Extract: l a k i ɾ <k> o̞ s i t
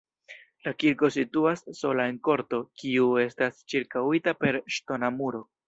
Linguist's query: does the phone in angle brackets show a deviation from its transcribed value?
no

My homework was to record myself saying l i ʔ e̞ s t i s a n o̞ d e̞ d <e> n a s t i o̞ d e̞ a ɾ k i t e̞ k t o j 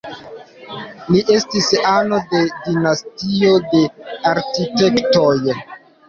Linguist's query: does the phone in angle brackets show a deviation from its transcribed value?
yes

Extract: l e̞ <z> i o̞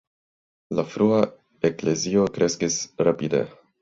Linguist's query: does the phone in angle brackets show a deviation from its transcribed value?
no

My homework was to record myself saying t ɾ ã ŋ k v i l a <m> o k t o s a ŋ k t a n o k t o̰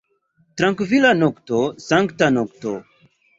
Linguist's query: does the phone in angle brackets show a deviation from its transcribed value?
yes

